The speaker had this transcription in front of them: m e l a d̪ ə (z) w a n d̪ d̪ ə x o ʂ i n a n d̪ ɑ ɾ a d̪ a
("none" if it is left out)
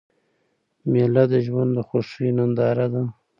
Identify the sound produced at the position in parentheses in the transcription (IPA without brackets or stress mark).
ʒ